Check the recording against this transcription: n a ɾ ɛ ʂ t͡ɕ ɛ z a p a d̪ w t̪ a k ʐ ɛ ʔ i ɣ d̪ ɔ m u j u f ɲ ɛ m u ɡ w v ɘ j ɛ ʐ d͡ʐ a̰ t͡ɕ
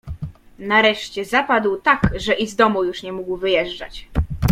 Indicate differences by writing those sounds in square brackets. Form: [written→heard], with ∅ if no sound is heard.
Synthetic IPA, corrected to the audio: n a ɾ ɛ ʂ t͡ɕ ɛ z a p a d̪ w t̪ a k ʐ ɛ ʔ i [ɣ→z] d̪ ɔ m u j u [f→ʂ] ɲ ɛ m u ɡ w v ɘ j ɛ ʐ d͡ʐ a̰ t͡ɕ